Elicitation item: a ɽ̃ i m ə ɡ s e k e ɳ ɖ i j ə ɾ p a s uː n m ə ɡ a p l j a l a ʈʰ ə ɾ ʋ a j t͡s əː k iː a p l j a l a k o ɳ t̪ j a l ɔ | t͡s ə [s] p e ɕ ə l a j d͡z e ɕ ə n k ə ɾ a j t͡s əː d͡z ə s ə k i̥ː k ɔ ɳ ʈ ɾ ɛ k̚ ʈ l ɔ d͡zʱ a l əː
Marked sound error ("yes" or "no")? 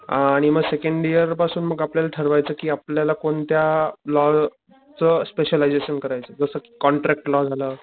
no